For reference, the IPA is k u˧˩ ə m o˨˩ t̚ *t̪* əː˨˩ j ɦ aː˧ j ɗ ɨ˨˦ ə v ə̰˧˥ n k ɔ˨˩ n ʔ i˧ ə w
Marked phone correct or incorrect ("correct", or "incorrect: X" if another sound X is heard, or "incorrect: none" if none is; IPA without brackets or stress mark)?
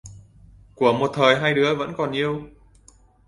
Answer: incorrect: t̪ʰ